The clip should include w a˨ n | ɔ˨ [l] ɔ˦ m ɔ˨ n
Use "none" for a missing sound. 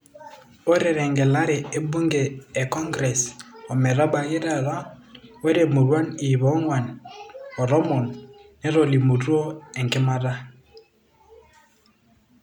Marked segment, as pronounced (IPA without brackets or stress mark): ɾ